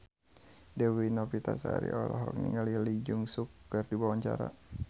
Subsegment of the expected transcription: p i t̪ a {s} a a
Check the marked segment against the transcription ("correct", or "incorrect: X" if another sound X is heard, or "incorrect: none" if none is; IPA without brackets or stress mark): correct